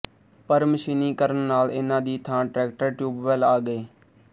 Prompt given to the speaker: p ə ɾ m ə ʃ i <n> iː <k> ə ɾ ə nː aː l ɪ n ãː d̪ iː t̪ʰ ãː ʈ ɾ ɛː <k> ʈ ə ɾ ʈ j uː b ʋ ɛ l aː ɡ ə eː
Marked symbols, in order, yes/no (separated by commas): yes, yes, yes